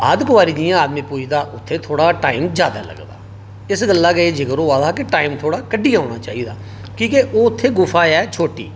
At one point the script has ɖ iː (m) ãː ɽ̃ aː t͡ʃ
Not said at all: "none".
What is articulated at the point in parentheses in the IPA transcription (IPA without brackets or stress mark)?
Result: none